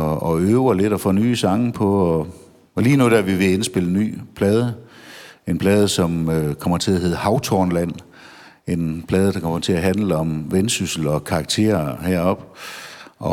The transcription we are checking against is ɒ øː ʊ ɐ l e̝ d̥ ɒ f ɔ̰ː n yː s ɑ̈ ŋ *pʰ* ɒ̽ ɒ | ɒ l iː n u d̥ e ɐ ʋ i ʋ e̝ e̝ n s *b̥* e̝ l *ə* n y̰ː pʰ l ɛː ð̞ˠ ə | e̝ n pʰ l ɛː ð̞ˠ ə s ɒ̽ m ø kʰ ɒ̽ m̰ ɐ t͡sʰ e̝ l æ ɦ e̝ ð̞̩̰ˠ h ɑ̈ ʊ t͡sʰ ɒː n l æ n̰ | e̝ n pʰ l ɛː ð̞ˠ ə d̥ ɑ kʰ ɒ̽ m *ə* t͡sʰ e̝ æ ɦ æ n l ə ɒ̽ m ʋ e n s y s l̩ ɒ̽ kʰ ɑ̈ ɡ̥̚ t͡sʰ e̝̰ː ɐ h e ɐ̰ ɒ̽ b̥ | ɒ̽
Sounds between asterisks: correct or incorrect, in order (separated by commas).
correct, correct, correct, incorrect